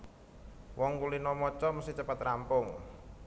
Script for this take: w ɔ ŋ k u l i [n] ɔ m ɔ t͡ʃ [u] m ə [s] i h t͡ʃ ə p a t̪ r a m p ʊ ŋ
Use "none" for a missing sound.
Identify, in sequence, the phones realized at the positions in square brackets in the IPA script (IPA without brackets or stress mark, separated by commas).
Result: n, ɔ, s